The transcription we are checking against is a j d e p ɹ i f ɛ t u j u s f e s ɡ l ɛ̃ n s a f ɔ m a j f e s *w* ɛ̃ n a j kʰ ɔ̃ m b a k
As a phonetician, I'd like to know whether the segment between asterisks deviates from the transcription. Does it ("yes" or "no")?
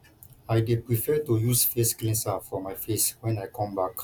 no